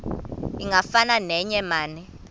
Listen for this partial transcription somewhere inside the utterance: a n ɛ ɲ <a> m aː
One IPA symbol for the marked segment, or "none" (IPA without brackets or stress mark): ɛ